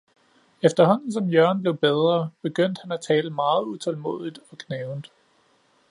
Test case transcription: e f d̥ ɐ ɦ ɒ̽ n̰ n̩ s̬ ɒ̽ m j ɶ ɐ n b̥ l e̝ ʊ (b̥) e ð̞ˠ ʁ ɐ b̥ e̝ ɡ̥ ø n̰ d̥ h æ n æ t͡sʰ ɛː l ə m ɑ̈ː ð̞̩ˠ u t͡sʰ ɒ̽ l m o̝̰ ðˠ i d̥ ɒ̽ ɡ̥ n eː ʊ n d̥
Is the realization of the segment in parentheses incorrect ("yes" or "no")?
no